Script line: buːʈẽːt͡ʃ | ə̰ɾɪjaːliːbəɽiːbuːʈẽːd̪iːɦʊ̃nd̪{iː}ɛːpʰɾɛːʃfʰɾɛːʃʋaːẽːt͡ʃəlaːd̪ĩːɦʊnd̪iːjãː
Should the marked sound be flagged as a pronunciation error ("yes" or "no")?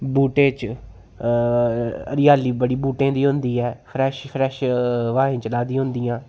no